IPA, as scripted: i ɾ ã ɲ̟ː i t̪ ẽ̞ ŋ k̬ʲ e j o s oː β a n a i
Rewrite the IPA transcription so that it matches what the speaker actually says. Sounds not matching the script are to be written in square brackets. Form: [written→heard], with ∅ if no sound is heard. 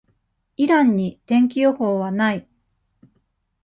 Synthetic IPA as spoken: i ɾ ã ɲ̟ː i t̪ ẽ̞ ŋ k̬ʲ [e→i] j o [s→h] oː β a n a i